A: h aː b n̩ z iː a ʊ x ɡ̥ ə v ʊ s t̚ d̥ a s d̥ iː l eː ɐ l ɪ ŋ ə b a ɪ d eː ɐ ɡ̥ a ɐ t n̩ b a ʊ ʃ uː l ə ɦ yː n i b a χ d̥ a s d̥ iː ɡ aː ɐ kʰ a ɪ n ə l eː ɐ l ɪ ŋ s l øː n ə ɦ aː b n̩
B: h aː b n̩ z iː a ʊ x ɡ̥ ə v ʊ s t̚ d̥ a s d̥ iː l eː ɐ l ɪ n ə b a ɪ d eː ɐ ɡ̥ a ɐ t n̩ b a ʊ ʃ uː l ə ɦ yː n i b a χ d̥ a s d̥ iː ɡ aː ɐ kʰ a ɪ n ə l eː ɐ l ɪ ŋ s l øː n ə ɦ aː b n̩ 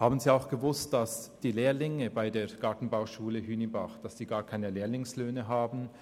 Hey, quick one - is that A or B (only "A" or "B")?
A